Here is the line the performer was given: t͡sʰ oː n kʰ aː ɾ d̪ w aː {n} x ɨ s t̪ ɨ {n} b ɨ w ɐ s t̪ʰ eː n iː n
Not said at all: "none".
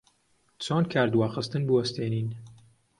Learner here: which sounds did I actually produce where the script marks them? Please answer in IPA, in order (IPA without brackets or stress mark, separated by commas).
none, n